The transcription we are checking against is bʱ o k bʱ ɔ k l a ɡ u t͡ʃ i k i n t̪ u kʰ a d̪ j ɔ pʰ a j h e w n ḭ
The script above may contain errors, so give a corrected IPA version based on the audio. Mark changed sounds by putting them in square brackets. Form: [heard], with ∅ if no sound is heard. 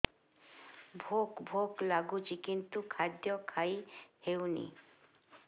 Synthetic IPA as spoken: bʱ o k bʱ [o] k l a ɡ u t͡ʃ i k i n t̪ u kʰ a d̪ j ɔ [kʰ] a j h e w n ḭ